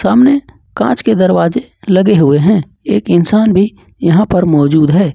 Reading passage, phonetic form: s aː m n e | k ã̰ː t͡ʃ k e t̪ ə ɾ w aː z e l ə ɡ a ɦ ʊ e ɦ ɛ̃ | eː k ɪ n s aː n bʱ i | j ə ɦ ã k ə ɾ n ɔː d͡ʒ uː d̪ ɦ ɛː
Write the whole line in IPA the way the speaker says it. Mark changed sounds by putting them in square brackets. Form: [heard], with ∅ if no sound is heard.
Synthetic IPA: s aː m n e | k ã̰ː t͡ʃ k e [d̪] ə ɾ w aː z e l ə ɡ [e] ɦ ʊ e ɦ ɛ̃ | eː k ɪ n s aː n bʱ i | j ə ɦ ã [p] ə ɾ [m] ɔː d͡ʒ uː d̪ ɦ ɛː

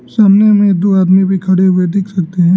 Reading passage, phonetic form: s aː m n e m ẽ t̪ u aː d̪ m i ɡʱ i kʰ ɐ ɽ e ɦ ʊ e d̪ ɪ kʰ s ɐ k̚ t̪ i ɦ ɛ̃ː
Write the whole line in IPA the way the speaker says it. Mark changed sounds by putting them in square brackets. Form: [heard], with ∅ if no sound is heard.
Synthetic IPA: s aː m n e m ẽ [d̪] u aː d̪ m i [bʱ] i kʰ ɐ ɽ e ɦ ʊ e d̪ ɪ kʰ s ɐ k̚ t̪ [e] ɦ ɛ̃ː

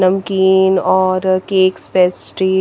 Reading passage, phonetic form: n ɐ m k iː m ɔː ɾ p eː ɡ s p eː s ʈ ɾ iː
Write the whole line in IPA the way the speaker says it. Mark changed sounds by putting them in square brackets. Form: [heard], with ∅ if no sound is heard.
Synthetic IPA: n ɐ m k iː [n] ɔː ɾ [k] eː [k] s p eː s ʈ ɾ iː

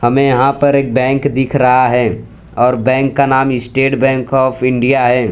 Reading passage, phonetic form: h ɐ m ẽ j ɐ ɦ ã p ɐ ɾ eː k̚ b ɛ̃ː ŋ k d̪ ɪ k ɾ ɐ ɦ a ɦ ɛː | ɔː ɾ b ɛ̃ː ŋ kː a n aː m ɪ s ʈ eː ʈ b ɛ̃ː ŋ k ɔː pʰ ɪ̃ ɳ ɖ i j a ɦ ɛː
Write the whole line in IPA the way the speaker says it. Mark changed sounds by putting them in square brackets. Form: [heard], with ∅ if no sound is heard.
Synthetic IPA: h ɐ m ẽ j ɐ ɦ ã p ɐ ɾ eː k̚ b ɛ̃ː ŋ k d̪ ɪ [kʰ] ɾ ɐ ɦ a ɦ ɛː | ɔː ɾ b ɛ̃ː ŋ kː a n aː m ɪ s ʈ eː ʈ b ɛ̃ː ŋ k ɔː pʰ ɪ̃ ɳ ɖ i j a ɦ ɛː

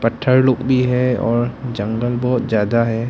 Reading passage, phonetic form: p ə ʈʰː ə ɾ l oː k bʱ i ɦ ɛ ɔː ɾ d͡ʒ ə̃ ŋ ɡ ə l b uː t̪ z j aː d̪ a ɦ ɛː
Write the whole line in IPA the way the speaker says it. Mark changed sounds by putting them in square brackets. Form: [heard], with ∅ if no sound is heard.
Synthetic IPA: p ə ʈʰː ə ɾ l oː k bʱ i ɦ ɛ ɔː ɾ d͡ʒ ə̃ ŋ ɡ ə l b [ɔː] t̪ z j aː d̪ a ɦ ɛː

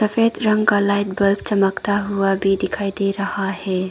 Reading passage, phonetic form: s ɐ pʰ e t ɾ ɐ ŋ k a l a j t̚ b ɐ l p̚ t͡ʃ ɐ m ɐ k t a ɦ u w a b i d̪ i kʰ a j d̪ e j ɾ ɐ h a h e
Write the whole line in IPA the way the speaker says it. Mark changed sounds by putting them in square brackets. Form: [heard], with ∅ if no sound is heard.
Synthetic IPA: s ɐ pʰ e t ɾ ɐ ŋ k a l a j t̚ b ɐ l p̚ t͡ʃ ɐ m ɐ k t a ɦ u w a b i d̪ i kʰ a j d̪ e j ɾ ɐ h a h e

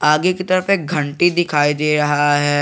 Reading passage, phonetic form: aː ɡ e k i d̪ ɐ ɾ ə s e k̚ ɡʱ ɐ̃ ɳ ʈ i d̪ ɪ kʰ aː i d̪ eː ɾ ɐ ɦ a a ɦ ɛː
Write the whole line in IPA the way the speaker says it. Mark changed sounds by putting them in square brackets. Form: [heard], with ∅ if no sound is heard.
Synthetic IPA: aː ɡ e k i [t̪] ɐ ɾ ə [f] e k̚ ɡʱ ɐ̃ ɳ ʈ i d̪ ɪ kʰ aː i d̪ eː ɾ ɐ ɦ a a ɦ ɛː

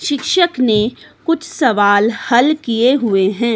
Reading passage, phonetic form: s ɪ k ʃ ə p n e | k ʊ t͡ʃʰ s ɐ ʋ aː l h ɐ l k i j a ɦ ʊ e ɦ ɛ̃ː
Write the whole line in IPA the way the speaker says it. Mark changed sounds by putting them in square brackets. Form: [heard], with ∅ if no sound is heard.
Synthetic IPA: [ʃ] ɪ k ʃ ə [k] n e | k ʊ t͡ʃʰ s ɐ ʋ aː l h ɐ l k i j [e] ɦ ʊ e ɦ ɛ̃ː

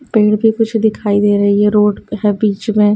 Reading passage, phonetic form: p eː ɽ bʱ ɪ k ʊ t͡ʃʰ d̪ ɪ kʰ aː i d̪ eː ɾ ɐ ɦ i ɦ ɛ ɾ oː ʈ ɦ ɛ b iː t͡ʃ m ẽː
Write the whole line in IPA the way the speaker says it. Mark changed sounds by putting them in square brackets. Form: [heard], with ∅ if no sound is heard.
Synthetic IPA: p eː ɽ bʱ [i] k ʊ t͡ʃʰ d̪ ɪ kʰ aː i d̪ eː ɾ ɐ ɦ i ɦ ɛ ɾ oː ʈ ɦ ɛ b iː t͡ʃ m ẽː

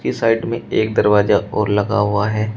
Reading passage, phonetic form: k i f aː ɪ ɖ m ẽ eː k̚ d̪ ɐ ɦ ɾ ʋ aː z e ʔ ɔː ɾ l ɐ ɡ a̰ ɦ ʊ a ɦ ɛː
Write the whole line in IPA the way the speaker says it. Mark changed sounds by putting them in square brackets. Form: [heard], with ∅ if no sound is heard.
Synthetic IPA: k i [s] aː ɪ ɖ m ẽ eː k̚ d̪ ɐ [∅] ɾ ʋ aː z [a] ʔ ɔː ɾ l ɐ ɡ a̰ ɦ ʊ a ɦ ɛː

